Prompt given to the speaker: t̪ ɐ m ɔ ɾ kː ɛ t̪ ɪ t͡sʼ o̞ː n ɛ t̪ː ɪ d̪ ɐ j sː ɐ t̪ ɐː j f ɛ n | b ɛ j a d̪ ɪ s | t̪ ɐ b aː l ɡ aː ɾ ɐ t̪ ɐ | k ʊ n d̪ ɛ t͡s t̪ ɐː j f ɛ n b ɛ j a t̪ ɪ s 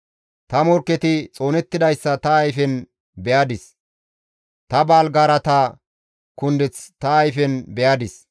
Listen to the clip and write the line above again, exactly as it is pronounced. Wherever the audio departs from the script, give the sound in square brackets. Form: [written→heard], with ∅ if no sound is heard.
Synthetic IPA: t̪ ɐ m ɔ ɾ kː ɛ t̪ ɪ t͡sʼ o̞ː n ɛ t̪ː ɪ d̪ ɐ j sː ɐ t̪ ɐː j f ɛ n | b ɛ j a d̪ ɪ s | t̪ ɐ b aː l ɡ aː ɾ ɐ t̪ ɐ | k ʊ n d̪ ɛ t͡s t̪ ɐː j f ɛ n b ɛ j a [t̪→d̪] ɪ s